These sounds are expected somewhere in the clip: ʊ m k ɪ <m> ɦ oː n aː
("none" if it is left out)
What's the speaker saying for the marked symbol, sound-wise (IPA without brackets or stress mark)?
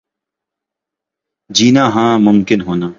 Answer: n